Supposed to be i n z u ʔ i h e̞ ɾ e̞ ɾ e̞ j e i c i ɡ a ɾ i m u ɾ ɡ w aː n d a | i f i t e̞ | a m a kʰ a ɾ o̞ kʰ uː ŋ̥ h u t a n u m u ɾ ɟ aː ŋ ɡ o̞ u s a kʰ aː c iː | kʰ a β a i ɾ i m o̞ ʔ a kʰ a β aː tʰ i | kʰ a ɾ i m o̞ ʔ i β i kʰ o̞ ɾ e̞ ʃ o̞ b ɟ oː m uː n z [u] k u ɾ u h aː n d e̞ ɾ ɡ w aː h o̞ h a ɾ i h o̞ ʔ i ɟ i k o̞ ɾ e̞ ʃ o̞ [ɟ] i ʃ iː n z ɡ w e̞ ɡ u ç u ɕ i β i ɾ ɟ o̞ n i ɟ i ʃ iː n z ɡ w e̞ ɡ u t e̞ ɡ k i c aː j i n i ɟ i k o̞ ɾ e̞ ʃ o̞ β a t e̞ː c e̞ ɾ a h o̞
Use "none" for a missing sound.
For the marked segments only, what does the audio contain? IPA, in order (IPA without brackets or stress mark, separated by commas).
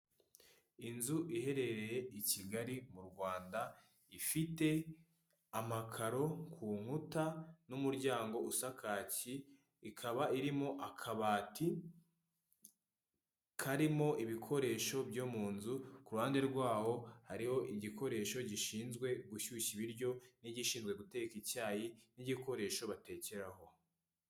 u, ɟ